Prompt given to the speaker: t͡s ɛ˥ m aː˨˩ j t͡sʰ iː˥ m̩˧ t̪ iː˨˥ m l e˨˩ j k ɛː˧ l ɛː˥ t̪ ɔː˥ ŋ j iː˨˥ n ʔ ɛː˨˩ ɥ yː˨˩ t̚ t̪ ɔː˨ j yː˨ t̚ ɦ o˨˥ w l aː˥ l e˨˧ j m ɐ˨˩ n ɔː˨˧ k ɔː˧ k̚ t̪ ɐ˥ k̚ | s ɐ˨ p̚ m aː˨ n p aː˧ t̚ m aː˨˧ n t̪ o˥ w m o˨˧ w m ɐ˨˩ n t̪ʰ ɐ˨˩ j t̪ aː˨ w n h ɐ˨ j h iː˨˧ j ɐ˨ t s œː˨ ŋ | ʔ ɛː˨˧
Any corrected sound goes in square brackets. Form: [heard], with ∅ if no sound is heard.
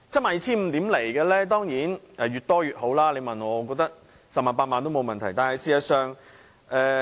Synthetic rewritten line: t͡s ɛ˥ m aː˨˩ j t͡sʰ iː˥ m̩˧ t̪ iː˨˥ m l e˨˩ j k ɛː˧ l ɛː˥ t̪ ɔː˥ ŋ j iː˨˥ n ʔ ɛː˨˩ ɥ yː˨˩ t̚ t̪ [ɔː˥] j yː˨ t̚ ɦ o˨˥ w l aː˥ l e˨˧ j m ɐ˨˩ n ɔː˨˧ k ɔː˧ k̚ t̪ ɐ˥ k̚ | s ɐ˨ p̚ m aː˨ n p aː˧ t̚ m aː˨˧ n t̪ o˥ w m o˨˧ w m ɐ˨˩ n t̪ʰ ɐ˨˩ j t̪ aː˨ [∅] n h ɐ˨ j [s] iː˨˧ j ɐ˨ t s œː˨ ŋ | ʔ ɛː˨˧